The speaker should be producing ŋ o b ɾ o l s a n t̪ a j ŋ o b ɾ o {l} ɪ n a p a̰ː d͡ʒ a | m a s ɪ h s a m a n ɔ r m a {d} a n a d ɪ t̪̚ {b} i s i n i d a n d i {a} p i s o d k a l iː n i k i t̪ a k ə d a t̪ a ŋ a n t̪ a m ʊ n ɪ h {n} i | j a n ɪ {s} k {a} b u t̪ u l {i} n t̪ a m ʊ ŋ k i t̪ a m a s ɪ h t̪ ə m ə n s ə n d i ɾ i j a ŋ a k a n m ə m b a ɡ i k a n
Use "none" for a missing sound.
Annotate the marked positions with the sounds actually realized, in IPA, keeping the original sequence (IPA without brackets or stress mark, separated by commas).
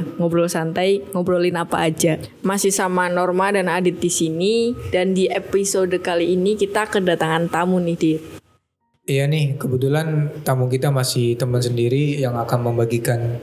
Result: l, d, d, e, d, h, ə, a